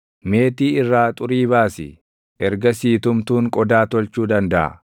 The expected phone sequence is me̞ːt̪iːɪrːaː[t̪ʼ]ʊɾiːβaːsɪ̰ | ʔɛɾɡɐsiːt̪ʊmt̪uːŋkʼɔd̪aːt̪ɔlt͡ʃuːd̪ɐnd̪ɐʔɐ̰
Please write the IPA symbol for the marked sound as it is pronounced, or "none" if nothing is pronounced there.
t̪ʼ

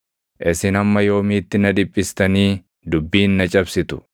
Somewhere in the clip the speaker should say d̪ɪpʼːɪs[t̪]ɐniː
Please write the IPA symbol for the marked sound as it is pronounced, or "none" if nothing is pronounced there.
t̪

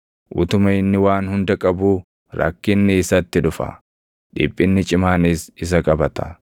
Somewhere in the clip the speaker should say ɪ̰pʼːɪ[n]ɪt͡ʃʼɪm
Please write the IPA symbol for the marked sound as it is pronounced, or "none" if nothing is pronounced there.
nː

